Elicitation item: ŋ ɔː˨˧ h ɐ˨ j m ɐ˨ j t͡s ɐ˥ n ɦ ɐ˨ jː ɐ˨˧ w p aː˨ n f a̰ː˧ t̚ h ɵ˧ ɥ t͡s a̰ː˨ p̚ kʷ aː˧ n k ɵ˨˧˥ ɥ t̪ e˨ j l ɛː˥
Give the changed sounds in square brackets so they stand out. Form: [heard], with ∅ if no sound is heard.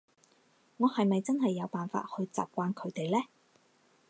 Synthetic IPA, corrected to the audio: ŋ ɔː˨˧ h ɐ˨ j m ɐ˨ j t͡s ɐ˥ n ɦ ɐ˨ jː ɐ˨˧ w p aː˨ n f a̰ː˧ t̚ h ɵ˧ ɥ t͡s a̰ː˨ p̚ kʷ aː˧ n [kʰ] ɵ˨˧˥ ɥ t̪ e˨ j l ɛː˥